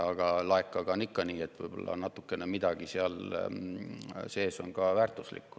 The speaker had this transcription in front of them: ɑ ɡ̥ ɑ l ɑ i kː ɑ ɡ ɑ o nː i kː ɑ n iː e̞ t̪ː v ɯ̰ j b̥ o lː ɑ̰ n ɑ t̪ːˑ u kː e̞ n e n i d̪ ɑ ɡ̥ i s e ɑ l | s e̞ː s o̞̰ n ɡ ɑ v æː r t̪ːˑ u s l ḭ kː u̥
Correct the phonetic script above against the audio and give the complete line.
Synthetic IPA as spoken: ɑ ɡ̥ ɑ l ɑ e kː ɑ ɡ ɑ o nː i kː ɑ n iː e̞ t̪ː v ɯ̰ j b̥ o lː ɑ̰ n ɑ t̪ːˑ u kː e̞ n e m i d̪ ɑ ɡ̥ i s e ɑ l | s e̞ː s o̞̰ n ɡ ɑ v æː r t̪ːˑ u s l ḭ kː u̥